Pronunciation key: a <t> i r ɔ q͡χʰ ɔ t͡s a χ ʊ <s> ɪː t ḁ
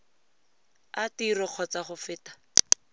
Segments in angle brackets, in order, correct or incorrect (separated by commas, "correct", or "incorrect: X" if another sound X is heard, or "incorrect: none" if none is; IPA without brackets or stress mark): correct, incorrect: f